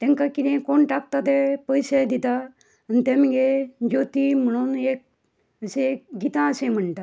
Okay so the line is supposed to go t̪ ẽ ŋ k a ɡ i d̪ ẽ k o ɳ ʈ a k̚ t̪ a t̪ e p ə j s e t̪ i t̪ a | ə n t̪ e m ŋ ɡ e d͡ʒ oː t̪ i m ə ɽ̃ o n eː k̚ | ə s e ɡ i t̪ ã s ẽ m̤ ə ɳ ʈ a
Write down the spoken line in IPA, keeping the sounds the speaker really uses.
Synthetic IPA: t̪ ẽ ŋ k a k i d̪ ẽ k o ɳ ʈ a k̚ t̪ a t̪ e p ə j s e d̪ i t̪ a | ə n t̪ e m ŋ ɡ e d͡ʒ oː t̪ i m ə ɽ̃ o n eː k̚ | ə s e ɡ i t̪ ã s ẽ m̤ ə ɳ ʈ a